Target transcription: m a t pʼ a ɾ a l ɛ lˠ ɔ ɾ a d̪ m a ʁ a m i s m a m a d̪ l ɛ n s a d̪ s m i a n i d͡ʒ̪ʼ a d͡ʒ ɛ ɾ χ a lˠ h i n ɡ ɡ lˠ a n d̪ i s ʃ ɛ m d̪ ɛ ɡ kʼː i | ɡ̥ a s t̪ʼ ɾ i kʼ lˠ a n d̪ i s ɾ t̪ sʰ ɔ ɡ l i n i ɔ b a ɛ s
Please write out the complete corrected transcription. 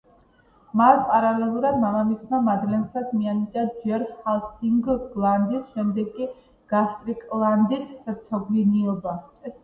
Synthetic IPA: m a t pʼ a ɾ a l ɛ lˠ u ɾ a d̪ m a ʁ a m i s m a m a d̪ l ɛ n s a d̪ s m i a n i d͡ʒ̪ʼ a d͡ʒ ɛ ɾ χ a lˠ s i ŋ ɡ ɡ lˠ a n d̪ i s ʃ ɛ m d̪ ɛ ɡ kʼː i | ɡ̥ a s t̪ʼ ɾ i kʼ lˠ a n d̪ i s ɾ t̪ sʰ ɔ ɡ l i n i ɔ b a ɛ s